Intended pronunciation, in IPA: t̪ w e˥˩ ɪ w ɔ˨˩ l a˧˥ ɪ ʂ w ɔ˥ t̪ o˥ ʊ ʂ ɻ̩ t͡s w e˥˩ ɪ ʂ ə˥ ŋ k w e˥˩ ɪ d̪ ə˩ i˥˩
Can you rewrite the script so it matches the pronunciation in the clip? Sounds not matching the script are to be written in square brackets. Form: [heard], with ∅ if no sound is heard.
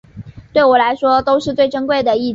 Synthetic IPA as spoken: t̪ w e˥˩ ɪ w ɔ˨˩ l a˧˥ ɪ ʂ w ɔ˥ t̪ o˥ ʊ ʂ ɻ̩ t͡s w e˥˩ ɪ [ʈ͡ʂ] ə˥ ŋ k w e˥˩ ɪ d̪ ə˩ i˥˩